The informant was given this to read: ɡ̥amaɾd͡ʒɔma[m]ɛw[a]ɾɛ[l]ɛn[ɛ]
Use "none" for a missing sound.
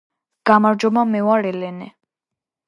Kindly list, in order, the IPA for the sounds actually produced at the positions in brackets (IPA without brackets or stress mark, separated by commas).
m, a, l, ɛ